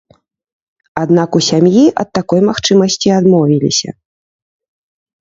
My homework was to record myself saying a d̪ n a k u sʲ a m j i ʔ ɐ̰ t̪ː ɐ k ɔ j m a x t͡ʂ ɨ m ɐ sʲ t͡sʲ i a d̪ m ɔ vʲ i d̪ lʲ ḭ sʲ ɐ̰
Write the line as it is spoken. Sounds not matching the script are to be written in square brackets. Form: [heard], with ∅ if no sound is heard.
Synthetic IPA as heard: a d̪ n a k u sʲ a m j i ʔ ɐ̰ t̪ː [a] k ɔ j m a x t͡ʂ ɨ m ɐ sʲ t͡sʲ i a d̪ m ɔ vʲ i [∅] lʲ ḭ sʲ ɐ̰